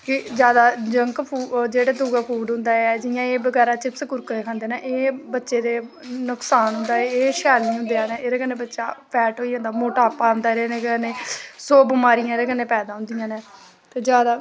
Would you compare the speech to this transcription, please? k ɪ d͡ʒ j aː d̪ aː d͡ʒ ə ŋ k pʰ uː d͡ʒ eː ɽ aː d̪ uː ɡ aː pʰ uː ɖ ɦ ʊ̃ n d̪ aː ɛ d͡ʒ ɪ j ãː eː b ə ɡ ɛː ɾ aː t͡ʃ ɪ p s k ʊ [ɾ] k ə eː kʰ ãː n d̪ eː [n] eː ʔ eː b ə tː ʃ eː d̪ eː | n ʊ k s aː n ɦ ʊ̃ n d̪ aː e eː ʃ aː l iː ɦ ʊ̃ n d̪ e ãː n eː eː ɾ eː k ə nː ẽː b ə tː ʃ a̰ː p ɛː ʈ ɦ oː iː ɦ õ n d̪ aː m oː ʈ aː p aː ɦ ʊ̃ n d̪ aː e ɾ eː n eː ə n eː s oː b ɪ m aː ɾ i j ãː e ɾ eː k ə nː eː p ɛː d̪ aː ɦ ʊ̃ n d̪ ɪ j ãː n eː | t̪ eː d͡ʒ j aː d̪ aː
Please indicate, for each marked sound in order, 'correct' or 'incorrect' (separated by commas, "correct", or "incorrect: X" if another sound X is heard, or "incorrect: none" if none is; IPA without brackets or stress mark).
correct, correct